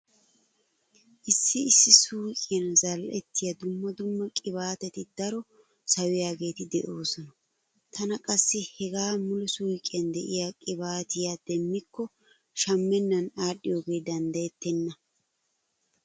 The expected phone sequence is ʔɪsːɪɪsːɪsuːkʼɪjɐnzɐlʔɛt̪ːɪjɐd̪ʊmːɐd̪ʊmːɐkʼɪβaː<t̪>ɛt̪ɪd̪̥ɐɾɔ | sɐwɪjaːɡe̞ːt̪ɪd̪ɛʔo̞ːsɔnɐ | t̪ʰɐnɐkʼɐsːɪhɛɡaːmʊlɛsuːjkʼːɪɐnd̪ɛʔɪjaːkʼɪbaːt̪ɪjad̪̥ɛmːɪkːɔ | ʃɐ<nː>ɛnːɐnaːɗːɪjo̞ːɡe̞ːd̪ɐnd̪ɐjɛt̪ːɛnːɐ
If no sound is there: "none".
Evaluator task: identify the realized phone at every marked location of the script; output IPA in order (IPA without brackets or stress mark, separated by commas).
t̪, mː